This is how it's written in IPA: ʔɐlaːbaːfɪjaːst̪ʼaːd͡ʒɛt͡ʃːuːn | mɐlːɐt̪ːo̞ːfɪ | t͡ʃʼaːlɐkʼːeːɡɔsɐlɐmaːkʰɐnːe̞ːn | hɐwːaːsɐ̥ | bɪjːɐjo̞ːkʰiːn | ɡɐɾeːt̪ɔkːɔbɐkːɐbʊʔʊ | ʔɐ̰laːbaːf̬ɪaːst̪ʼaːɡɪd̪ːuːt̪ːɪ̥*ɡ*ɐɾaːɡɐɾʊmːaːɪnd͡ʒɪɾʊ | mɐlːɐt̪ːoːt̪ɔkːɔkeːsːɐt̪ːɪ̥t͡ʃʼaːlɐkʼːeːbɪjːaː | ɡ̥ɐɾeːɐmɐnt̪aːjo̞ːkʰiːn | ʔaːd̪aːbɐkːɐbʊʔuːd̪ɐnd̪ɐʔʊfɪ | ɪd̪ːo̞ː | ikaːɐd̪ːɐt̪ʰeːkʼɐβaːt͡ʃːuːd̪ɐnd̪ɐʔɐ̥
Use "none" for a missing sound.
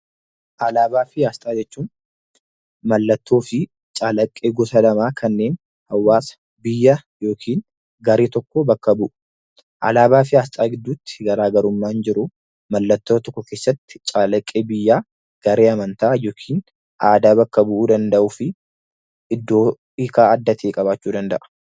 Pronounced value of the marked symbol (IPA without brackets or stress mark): ɡ